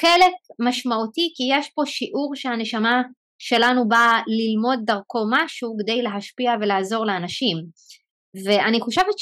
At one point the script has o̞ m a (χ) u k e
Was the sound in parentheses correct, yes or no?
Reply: no